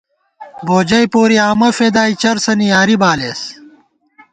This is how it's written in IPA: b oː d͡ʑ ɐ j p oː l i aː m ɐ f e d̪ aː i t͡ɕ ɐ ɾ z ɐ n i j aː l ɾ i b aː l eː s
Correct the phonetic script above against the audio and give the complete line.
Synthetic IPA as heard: b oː d͡ʑ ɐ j p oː ɾ i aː m ɐ f e d̪ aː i t͡ɕ ɐ ɾ s ɐ n i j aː ɾ i b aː l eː s